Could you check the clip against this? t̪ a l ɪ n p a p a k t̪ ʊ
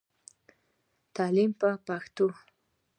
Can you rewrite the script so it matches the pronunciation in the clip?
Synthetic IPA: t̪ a l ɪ m p a p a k t̪ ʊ